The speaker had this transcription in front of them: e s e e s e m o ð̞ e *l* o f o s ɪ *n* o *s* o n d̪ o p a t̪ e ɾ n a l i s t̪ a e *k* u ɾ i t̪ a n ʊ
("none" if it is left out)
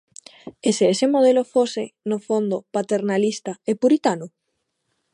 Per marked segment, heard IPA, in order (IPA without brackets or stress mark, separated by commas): l, n, f, p